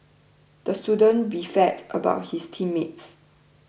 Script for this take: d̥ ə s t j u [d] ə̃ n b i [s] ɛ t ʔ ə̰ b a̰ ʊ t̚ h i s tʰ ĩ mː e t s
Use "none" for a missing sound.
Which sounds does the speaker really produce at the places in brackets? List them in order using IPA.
d, f

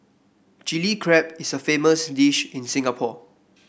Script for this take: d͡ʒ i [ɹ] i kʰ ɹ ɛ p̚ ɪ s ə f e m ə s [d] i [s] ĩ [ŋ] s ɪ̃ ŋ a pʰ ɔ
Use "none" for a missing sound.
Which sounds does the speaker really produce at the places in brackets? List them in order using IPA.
l, d, ʃ, n

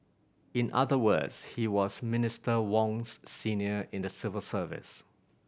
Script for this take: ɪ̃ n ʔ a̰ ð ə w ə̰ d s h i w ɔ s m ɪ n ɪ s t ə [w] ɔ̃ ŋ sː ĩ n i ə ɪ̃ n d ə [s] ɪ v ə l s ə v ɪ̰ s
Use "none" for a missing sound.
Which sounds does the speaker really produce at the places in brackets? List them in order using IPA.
w, s

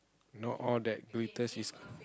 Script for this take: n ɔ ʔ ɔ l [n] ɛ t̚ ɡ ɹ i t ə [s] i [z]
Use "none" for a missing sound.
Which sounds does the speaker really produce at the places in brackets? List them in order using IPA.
d, s, s

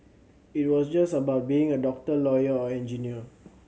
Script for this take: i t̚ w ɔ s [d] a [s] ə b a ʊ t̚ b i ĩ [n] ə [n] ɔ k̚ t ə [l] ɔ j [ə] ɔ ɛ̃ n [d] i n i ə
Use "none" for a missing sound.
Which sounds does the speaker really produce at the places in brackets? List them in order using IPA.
d͡ʒ, s, ŋ, d, l, ə, d͡ʒ

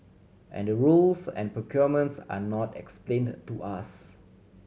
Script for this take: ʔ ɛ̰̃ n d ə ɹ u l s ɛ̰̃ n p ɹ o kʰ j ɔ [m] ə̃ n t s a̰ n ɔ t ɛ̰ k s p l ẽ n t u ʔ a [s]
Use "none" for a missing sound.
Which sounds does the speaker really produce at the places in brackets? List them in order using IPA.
m, s

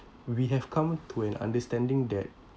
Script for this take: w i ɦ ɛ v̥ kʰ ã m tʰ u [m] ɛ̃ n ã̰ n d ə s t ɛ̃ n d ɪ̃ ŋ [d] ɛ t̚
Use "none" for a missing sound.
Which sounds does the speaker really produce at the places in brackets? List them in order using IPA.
none, d

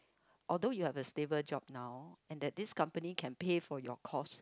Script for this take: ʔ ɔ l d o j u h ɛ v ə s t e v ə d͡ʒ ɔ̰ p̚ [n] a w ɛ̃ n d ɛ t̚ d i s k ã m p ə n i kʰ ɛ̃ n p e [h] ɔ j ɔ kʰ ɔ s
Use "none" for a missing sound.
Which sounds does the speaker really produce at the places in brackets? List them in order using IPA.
n, f

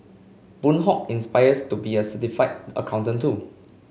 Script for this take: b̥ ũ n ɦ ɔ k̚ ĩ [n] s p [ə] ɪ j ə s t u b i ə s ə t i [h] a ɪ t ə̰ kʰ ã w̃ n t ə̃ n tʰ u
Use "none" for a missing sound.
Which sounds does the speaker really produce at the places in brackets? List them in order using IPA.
n, a, f

